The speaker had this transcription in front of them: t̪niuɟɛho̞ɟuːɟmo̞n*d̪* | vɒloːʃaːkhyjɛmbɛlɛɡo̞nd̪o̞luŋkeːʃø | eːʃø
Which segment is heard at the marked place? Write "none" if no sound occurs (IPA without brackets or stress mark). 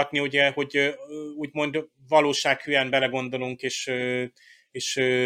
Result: d̪